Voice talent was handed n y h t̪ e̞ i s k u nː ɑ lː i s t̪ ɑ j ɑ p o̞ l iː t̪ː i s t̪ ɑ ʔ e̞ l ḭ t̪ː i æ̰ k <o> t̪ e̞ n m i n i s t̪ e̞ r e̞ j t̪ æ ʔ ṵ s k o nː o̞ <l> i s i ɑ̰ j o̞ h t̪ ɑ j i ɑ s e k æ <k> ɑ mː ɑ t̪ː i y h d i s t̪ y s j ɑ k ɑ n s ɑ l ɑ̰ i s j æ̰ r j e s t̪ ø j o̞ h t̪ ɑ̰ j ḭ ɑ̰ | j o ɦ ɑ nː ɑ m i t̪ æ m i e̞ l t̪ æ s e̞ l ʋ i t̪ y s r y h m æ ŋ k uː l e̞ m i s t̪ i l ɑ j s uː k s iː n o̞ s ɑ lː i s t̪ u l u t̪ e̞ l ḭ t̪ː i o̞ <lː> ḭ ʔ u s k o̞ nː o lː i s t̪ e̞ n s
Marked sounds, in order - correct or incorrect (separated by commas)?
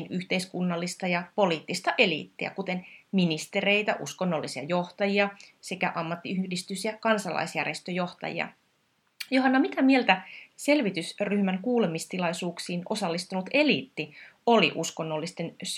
incorrect, incorrect, incorrect, incorrect